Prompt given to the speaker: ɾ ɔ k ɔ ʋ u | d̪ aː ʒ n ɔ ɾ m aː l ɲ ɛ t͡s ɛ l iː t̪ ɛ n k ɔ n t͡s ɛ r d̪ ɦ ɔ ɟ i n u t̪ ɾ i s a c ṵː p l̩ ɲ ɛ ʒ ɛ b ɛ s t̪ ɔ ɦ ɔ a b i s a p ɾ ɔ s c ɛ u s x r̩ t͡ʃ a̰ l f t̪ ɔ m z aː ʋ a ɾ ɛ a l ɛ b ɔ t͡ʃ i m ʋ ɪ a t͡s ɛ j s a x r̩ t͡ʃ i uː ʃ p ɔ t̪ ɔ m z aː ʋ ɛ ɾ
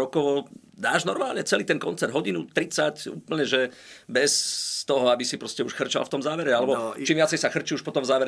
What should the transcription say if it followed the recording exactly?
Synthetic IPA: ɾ ɔ k ɔ ʋ ɔ | d̪ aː ʒ n ɔ ɾ m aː l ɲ ɛ t͡s ɛ l iː t̪ ɛ n k ɔ n t͡s ɛ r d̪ ɦ ɔ ɟ i n u t̪ ɾ i t͡s a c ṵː p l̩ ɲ ɛ ʒ ɛ b ɛ s t̪ ɔ ɦ ɔ a b i s i p ɾ ɔ s c ɛ u ʃ x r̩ t͡ʃ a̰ l f t̪ ɔ m z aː ʋ ɛ ɾ ɛ a l ɛ b ɔ t͡ʃ i m ʋ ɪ a t͡s ɛ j s a x r̩ t͡ʃ i u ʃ p ɔ t̪ ɔ m z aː ʋ ɛ ɾ